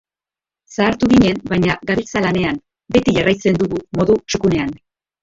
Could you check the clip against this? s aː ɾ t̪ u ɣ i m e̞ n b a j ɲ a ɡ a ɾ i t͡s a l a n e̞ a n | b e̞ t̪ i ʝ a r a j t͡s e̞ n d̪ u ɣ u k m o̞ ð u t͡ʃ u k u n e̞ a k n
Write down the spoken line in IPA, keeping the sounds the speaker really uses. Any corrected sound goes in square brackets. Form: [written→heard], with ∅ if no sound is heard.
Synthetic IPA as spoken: s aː ɾ t̪ u ɣ i [m→ɲ] e̞ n b a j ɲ a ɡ a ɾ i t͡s a l a n e̞ a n | b e̞ t̪ i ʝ a r a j t͡s e̞ n d̪ u ɣ u [k→∅] m o̞ ð u t͡ʃ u k u n e̞ a [k→∅] n